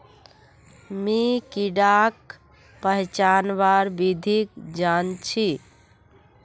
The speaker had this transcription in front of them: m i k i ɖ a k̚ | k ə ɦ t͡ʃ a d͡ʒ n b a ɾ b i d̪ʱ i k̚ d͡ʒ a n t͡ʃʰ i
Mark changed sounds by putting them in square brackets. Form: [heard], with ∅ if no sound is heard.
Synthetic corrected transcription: m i k i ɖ a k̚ | [p] ə ɦ t͡ʃ a [∅] n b a ɾ b i d̪ʱ i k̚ d͡ʒ a n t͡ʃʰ i